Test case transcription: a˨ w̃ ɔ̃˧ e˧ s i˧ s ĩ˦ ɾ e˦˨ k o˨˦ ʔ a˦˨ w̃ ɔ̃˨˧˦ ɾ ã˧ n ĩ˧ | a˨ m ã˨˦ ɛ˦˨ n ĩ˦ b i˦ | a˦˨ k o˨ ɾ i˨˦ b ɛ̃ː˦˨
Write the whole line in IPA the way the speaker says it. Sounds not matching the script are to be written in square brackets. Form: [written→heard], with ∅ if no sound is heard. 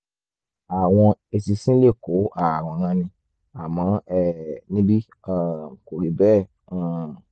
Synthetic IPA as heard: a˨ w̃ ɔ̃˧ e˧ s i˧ s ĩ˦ [ɾ→l] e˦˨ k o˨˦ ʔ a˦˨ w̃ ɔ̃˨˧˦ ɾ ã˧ n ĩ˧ | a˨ m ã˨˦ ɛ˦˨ n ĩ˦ b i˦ | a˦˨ k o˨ ɾ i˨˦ b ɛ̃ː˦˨

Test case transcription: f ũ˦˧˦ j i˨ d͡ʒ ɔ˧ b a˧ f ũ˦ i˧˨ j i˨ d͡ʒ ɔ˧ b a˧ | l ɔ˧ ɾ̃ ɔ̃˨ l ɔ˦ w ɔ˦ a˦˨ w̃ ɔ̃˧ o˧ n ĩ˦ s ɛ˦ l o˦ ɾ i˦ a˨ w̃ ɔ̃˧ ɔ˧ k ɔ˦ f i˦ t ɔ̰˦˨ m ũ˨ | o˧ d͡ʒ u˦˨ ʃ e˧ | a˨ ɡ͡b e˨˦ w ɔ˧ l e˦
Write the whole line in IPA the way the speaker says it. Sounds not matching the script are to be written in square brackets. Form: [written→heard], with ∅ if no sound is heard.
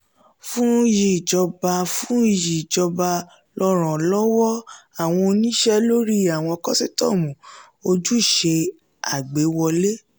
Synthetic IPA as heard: f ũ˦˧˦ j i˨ d͡ʒ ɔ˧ b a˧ f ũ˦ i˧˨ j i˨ d͡ʒ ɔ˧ b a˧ | l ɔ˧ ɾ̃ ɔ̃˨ l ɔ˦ w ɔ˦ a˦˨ w̃ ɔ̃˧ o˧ n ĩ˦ [s→ʃ] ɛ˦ l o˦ ɾ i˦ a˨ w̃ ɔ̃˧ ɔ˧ k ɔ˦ [f→s] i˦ t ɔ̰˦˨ m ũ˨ | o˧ d͡ʒ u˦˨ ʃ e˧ | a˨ ɡ͡b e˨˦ w ɔ˧ l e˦

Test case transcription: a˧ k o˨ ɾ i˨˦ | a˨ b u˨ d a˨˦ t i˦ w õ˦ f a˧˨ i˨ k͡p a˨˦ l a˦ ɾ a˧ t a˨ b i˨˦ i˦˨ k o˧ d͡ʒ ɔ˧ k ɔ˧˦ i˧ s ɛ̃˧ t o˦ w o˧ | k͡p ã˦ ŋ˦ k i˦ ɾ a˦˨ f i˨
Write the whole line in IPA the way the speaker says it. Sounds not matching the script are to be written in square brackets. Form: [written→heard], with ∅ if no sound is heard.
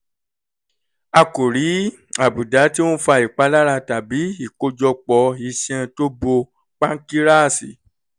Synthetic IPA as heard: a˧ k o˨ ɾ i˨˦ | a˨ b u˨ d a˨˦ t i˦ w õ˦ f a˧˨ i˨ k͡p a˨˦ l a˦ ɾ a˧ t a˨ b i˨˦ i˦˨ k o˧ d͡ʒ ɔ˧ [k→k͡p] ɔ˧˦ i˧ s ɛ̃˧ t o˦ [w→b] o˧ | k͡p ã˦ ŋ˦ k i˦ ɾ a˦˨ [f→s] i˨

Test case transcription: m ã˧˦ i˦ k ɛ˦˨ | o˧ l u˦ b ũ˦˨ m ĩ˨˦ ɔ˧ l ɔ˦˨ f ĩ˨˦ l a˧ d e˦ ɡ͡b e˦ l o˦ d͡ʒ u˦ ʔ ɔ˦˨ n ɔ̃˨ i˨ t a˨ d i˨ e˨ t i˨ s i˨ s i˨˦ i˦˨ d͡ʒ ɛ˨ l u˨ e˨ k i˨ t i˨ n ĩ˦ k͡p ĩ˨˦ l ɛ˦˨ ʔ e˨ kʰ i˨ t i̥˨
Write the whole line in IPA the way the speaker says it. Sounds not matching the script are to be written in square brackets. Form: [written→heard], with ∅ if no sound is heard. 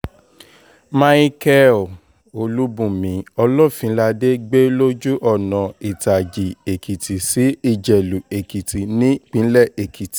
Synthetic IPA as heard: m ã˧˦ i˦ k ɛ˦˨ | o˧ l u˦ b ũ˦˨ m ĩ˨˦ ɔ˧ l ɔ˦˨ f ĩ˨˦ l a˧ d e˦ ɡ͡b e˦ l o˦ d͡ʒ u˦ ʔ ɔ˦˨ n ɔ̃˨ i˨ t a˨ [d→d͡ʒ] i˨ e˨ [t→k] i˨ [s→t] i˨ s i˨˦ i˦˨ d͡ʒ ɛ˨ l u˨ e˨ k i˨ t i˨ n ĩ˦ k͡p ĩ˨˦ l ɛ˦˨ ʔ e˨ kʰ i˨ t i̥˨

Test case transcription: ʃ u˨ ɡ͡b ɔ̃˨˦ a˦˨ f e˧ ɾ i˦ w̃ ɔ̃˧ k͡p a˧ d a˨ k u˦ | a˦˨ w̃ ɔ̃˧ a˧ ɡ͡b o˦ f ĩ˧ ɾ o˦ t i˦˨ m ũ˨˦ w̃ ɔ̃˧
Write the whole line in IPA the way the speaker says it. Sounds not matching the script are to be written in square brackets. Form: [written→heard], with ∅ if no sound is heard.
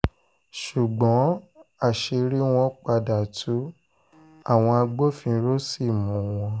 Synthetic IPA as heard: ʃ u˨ ɡ͡b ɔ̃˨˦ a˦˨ [f→ʃ] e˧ ɾ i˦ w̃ ɔ̃˧ k͡p a˧ d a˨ [k→t] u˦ | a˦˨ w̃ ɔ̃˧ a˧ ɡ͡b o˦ f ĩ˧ ɾ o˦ [t→s] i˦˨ m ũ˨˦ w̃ ɔ̃˧

